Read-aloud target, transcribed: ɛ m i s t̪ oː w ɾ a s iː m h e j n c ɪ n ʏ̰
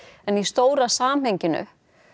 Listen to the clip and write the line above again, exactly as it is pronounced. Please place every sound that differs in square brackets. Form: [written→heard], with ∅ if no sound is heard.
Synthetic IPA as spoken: ɛ [m→n] i s t̪ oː w ɾ a s [iː→aː] m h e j [n→ɲ] c ɪ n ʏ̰

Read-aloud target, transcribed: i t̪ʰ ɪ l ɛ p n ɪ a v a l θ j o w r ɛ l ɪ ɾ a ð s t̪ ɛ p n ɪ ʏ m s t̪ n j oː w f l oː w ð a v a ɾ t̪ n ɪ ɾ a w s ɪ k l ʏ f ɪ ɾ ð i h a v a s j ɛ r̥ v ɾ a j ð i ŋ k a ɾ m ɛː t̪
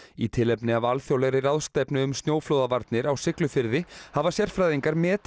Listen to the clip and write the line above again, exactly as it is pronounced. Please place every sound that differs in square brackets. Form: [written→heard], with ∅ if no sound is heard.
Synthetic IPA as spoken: i t̪ʰ ɪ l ɛ p n ɪ a v a l θ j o w [r→l] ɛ [l→ɾ] ɪ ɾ a ð s t̪ ɛ p n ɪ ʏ m s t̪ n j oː w f l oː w ð a v a ɾ t̪ n ɪ ɾ a w s ɪ k l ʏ f ɪ ɾ ð [i→ɪ] h a v a s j ɛ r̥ [v→f] ɾ a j ð i ŋ k a ɾ m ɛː t̪

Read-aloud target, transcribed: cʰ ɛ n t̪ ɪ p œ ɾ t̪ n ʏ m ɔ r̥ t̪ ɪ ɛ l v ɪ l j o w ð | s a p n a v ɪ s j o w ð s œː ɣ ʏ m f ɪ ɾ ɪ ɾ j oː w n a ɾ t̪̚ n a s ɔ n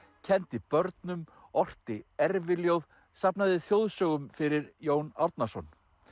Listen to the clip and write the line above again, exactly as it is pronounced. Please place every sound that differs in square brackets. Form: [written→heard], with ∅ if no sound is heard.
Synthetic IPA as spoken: cʰ ɛ n t̪ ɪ p œ ɾ t̪ n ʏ m ɔ r̥ t̪ ɪ ɛ [l→ɾ] v ɪ l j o w ð | s a p n a [v→ð] ɪ [s→θ] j o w ð s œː ɣ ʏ m f ɪ ɾ ɪ ɾ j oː w n a ɾ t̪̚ n a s ɔ n

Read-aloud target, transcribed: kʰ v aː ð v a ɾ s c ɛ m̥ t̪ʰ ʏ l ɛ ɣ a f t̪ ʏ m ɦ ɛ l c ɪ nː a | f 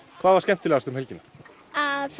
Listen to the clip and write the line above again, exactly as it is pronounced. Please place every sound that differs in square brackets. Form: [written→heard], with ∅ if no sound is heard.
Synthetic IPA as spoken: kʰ v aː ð v a ɾ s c ɛ m̥ [t̪ʰ→t̪] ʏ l ɛ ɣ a [f→s] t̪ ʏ m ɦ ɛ l c ɪ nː a | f

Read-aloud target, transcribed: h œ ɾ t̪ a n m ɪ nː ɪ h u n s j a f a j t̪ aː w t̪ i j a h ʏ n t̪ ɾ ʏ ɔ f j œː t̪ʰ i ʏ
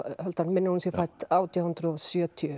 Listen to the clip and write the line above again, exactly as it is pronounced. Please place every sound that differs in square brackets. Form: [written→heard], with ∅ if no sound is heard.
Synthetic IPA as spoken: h œ [ɾ→l] t̪ a n m ɪ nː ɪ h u n s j [a→ɛ] f a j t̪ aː w t̪ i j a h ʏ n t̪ ɾ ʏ ɔ [f→s] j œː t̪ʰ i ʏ

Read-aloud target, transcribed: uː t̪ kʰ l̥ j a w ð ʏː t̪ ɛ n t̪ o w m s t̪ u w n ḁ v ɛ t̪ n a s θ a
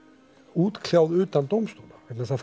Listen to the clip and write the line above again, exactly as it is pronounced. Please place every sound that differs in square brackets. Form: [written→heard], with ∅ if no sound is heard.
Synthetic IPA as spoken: uː t̪ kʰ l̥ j a w ð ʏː t̪ [ɛ→a] n t̪ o w m s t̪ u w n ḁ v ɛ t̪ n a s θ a

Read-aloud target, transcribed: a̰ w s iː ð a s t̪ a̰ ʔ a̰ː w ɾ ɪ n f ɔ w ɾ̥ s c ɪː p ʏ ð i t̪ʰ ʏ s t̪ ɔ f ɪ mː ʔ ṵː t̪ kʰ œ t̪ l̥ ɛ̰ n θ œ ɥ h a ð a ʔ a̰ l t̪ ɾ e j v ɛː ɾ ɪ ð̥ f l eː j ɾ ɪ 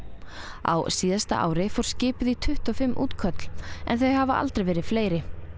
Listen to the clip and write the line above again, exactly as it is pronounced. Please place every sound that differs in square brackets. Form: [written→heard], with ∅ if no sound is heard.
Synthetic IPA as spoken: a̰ w s iː ð a s t̪ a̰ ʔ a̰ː w ɾ ɪ [n→∅] f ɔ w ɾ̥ s c ɪː p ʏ ð i t̪ʰ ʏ [s→h] t̪ ɔ f ɪ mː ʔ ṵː t̪ kʰ œ t̪ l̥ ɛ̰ n θ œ ɥ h a [ð→v] a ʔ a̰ l t̪ ɾ e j v ɛː ɾ ɪ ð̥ f l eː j ɾ ɪ

